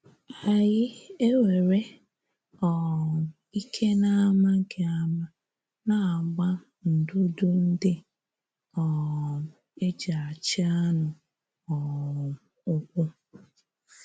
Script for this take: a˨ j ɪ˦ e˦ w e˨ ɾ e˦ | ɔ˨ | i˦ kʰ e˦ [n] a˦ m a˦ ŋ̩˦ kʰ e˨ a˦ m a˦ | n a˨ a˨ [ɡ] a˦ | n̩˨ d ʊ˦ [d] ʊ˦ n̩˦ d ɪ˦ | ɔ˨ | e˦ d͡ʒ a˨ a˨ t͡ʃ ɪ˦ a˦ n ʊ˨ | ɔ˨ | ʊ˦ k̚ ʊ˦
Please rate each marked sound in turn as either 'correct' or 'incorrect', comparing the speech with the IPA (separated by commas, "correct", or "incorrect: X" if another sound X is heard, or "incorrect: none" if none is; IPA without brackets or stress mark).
correct, incorrect: ɡ͡b, correct